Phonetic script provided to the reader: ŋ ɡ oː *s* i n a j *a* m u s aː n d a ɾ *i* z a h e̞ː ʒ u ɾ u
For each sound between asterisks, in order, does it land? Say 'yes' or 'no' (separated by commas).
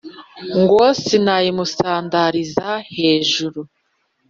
yes, no, yes